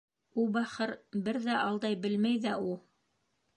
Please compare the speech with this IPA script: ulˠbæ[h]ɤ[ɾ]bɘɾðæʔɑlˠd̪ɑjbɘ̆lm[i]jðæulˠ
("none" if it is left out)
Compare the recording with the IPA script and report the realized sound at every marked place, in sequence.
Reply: χ, ɾ, æ

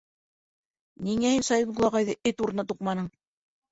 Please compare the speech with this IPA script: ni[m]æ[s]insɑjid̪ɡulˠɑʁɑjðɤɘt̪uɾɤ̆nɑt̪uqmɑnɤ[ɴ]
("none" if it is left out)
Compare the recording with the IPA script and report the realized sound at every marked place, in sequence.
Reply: ŋ, h, ɴ

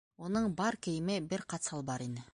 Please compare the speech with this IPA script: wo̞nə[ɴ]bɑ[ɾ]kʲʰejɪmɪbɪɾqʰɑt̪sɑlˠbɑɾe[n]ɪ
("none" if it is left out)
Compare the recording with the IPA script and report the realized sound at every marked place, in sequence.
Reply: ɴ, ɾ, n

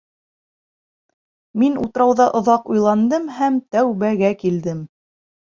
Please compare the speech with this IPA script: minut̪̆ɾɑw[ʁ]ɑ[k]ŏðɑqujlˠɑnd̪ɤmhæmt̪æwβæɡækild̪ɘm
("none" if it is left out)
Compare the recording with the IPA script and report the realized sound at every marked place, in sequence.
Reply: ð, ʔ

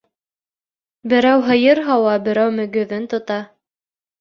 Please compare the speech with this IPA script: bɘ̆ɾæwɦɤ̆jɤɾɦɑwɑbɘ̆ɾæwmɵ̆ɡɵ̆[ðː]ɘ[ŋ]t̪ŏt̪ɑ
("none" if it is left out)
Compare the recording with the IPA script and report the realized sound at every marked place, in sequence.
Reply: ð, n

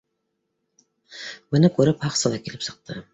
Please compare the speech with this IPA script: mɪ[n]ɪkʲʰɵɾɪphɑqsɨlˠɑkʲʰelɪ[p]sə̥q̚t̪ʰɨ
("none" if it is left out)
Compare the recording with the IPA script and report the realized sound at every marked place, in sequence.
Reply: n, p

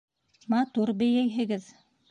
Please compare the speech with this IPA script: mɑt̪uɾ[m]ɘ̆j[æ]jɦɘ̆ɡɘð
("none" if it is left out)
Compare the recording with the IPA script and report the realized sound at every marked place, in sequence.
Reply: b, æ

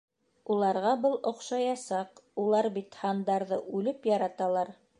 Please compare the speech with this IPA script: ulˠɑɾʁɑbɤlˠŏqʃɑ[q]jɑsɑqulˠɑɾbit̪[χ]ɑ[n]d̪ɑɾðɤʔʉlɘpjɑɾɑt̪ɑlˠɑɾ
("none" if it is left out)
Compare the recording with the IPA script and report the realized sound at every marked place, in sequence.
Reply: none, h, n

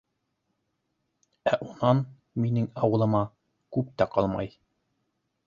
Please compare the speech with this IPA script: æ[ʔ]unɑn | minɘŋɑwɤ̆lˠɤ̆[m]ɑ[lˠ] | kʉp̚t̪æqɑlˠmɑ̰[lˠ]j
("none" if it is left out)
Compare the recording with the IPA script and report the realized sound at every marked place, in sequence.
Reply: ʔ, m, none, none

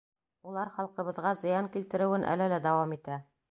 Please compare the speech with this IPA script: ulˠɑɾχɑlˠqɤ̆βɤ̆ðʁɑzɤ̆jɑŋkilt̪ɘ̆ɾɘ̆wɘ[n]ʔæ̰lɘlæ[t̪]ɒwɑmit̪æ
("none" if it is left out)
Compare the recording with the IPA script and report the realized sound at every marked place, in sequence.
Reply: n, d̪

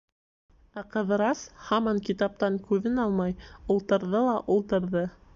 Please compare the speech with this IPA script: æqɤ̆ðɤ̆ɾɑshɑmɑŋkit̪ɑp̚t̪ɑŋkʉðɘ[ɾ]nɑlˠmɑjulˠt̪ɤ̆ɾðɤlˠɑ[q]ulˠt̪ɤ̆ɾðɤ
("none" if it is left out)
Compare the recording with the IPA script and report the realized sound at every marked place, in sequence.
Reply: none, ʔ

